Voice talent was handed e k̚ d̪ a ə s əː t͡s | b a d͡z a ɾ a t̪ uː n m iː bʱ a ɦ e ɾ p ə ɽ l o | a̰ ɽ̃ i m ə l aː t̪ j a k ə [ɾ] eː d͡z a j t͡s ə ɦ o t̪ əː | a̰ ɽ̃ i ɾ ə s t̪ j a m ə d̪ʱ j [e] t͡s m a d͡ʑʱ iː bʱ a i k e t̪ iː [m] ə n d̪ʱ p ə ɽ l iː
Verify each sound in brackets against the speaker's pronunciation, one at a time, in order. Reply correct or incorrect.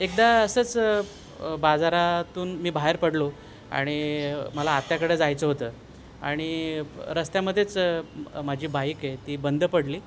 incorrect, correct, incorrect

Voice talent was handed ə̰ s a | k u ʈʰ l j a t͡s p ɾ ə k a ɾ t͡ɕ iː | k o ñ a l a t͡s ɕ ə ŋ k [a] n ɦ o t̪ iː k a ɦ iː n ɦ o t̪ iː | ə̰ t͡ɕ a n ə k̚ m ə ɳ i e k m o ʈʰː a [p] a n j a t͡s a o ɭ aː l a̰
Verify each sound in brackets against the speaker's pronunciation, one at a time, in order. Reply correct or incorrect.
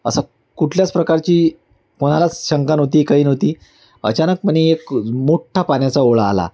correct, correct

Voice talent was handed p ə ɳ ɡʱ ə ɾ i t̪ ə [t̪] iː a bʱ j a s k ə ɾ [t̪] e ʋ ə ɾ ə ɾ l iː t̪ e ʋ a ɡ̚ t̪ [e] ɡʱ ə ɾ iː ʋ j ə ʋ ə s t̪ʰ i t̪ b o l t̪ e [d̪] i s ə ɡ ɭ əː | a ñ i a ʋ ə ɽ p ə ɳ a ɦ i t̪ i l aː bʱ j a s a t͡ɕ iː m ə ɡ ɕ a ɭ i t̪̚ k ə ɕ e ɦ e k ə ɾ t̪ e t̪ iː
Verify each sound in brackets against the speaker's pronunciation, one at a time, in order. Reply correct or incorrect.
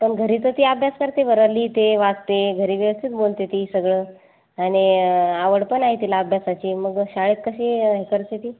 correct, correct, correct, incorrect

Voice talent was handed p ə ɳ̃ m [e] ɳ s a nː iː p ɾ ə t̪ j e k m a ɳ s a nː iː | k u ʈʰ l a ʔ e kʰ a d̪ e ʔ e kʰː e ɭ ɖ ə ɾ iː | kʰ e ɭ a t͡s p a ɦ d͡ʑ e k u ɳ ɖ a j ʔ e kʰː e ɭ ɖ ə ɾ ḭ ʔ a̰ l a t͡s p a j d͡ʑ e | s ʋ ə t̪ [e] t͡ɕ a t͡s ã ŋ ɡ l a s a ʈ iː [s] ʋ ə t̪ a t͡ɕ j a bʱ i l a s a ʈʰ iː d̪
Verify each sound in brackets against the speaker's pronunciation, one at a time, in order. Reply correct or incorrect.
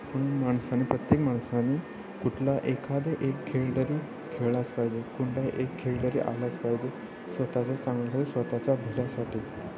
incorrect, incorrect, correct

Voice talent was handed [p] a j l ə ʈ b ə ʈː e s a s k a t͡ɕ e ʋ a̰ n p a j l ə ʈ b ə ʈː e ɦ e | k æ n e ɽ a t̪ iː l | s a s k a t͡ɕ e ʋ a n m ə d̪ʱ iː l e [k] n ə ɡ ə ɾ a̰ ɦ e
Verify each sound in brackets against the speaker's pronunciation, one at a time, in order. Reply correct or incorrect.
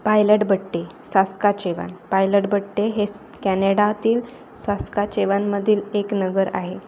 correct, correct

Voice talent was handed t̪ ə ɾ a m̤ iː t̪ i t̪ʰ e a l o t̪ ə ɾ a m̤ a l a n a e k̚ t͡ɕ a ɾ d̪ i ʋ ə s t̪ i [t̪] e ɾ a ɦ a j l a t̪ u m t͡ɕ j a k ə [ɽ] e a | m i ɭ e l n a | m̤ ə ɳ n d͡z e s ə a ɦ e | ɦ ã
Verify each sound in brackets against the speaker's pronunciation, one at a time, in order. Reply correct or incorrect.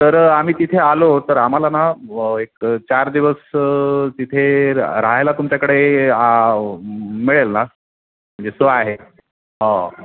incorrect, correct

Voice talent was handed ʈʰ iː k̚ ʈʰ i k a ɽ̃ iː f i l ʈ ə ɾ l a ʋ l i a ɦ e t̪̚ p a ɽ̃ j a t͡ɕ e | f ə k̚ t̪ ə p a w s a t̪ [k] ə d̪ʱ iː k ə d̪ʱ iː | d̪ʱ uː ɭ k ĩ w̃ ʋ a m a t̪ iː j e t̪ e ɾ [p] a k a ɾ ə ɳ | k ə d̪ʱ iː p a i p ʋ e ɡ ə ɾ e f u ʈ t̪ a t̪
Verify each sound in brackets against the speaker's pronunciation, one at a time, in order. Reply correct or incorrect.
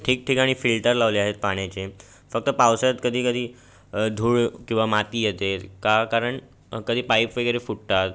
correct, incorrect

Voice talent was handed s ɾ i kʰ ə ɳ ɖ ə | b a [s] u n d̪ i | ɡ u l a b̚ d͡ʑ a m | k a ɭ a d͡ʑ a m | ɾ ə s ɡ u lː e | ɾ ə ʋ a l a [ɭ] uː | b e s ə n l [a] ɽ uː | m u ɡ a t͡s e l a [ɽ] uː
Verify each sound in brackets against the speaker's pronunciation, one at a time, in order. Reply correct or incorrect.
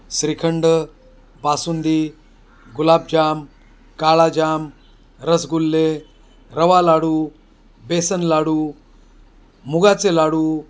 correct, incorrect, correct, correct

